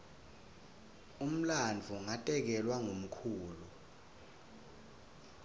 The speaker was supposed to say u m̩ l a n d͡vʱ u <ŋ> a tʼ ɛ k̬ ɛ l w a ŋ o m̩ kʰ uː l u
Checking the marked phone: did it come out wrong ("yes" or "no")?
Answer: no